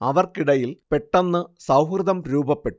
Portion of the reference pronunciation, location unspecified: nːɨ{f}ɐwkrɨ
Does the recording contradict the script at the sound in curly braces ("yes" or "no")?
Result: yes